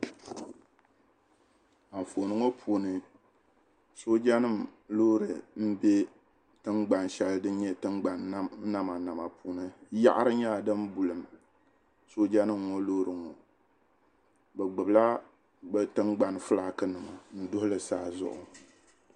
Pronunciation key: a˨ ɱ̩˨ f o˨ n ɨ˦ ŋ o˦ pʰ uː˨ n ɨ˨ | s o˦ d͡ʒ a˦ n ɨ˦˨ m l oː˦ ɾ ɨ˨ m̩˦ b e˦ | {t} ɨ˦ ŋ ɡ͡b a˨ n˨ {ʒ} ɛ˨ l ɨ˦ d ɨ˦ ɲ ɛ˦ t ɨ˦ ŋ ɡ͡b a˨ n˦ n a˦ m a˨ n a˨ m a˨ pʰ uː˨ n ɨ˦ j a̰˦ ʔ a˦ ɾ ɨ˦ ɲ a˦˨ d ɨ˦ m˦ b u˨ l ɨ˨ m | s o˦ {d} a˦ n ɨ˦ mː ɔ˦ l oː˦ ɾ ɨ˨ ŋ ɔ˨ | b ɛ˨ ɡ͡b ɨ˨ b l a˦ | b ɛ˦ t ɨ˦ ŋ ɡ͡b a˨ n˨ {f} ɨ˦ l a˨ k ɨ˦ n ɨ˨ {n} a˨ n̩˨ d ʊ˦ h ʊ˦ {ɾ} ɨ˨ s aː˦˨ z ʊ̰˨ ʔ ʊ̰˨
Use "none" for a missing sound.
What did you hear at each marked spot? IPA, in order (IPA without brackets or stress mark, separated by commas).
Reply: t, ʃ, d͡ʒ, f, m, l